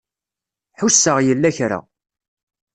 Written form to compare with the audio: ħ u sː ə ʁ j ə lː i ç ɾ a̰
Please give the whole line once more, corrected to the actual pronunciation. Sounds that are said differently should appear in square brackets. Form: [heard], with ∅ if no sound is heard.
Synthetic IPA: ħ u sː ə ʁ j ə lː [æ] ç ɾ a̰